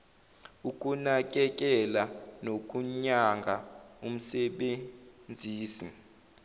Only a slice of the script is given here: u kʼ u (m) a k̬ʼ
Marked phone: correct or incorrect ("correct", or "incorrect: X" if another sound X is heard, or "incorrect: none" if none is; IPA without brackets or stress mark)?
incorrect: n